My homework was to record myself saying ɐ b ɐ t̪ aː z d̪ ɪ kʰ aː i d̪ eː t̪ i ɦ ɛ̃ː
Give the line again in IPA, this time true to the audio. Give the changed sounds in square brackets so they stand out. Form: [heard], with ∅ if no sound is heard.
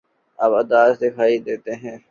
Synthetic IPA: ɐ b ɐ [d̪] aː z d̪ ɪ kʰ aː i d̪ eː t̪ [e] ɦ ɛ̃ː